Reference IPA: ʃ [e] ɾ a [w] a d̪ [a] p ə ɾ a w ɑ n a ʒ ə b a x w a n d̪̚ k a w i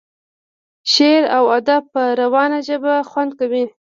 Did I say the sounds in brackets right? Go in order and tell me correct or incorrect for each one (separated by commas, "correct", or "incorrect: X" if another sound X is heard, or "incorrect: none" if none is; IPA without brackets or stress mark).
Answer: correct, correct, correct